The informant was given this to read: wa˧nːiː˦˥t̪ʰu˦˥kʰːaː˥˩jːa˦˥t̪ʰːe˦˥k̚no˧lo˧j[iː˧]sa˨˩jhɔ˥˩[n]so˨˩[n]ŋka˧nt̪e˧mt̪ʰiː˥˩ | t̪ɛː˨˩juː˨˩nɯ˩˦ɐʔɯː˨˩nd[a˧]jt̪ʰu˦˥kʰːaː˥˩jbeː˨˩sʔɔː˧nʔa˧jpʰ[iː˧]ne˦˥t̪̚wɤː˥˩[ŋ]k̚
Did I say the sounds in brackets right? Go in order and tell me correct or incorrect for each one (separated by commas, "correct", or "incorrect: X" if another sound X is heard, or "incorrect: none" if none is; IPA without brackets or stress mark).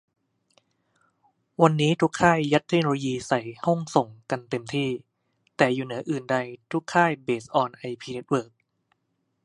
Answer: correct, incorrect: ŋ, incorrect: none, correct, correct, incorrect: none